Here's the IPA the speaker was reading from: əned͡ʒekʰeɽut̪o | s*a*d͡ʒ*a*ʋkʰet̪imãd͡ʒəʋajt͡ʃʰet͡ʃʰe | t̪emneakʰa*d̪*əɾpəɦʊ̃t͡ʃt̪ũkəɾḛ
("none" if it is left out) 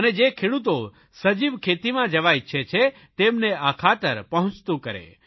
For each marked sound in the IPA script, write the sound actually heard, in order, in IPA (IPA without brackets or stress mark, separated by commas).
ə, i, t̪